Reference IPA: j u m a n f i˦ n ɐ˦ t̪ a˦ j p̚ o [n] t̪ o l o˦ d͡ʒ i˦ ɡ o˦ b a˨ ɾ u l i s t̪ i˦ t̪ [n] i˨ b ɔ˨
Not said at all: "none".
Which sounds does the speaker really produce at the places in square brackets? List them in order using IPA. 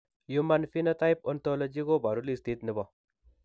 n, n

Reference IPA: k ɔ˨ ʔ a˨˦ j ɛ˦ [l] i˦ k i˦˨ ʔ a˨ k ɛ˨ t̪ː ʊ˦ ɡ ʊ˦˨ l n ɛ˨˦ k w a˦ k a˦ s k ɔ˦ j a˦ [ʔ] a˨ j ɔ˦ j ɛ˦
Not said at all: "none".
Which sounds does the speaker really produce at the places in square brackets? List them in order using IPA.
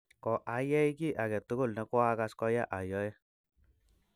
none, ʔ

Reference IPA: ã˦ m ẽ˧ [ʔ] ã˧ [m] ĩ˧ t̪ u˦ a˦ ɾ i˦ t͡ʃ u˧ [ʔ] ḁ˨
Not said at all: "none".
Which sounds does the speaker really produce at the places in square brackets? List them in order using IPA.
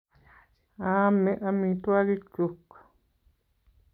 ʔ, m, k

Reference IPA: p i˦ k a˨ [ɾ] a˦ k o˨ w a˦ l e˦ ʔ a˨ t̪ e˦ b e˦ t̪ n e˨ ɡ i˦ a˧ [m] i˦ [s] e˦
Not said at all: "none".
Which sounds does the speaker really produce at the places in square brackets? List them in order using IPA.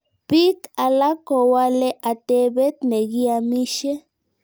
l, m, ʃ

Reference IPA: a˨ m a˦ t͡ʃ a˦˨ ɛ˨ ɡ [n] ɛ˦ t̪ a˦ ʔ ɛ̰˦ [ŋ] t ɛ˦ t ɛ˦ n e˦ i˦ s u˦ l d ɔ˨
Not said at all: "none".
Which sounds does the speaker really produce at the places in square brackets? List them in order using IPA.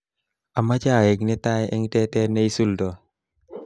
n, ŋ

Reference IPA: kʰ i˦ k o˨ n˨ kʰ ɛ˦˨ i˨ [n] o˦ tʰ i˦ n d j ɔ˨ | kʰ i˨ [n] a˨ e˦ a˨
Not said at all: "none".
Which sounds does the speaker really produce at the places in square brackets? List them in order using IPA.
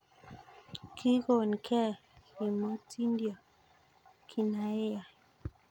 m, n

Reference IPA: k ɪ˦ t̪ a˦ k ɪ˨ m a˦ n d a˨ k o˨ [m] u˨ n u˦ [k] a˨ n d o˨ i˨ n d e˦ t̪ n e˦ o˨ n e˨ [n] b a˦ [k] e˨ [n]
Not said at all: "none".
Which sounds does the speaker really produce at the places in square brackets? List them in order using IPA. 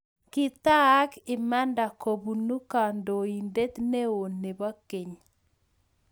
b, k, none, k, ɲ

